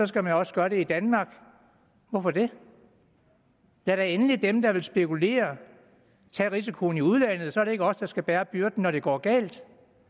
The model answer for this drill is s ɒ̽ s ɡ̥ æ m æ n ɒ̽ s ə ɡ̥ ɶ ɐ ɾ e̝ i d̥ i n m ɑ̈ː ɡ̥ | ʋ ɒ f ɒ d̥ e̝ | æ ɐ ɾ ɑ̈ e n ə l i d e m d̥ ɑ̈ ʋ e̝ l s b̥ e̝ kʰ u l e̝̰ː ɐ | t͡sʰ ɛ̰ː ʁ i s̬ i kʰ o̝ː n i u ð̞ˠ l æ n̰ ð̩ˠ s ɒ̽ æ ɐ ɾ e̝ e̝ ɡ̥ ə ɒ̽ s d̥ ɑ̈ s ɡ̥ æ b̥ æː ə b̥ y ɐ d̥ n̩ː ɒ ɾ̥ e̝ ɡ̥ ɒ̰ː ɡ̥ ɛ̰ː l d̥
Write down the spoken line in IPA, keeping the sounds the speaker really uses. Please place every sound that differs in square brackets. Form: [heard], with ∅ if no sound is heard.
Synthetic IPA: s ɒ̽ s ɡ̥ æ m æ n ɒ̽ s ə ɡ̥ ɶ ɐ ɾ e̝ i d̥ [æ] n m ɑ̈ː ɡ̥ | ʋ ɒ f ɒ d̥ e̝ | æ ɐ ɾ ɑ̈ e n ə l i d e m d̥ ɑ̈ ʋ e̝ l s b̥ e̝ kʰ u l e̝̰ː ɐ | t͡sʰ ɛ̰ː ʁ i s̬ i kʰ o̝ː n i u ð̞ˠ l æ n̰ ð̩ˠ s ɒ̽ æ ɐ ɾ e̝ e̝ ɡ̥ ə ɒ̽ s d̥ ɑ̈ s ɡ̥ æ b̥ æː [ɐ] b̥ y ɐ d̥ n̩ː ɒ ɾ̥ e̝ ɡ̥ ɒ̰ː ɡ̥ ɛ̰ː l d̥